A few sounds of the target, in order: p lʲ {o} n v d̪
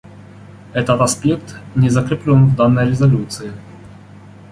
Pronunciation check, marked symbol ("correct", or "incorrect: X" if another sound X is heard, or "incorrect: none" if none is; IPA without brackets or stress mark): correct